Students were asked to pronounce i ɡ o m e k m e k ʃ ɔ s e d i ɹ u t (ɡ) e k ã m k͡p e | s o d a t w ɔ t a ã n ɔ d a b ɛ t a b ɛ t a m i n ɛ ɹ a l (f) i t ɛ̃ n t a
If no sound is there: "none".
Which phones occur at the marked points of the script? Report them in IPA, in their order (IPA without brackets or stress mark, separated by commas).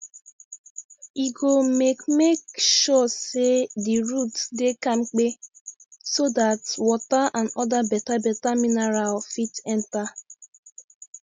d, f